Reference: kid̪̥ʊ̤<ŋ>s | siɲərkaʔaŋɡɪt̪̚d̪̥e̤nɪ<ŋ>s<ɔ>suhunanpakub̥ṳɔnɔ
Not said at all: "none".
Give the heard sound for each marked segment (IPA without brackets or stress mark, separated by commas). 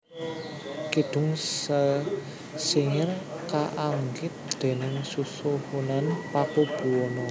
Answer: ŋ, ŋ, u